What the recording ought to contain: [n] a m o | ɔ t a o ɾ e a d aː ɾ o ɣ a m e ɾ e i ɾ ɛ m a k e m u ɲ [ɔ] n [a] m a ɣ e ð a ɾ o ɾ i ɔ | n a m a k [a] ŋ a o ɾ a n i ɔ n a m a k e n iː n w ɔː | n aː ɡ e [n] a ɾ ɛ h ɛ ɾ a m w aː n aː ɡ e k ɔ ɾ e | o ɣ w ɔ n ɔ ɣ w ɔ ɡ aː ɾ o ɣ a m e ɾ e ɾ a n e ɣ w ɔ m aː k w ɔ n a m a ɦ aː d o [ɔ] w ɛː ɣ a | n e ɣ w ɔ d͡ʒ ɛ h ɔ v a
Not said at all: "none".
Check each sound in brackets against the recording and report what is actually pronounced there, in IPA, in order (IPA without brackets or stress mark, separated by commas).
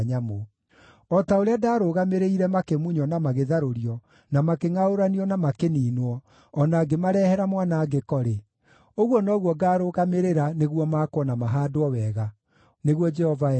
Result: ɲ, ɔ, a, e, m, ɔ